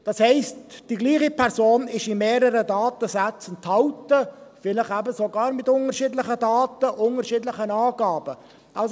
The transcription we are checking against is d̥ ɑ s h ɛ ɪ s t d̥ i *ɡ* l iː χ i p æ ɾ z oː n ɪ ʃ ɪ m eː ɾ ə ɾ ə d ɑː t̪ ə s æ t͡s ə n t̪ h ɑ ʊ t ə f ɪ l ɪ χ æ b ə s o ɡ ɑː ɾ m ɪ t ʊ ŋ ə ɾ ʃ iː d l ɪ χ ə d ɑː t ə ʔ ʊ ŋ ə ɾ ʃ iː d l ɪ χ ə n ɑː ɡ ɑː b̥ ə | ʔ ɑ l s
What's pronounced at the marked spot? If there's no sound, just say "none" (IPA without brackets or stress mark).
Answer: ɡ